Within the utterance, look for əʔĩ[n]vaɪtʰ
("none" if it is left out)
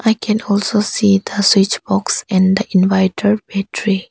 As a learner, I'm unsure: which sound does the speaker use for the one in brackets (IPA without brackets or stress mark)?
n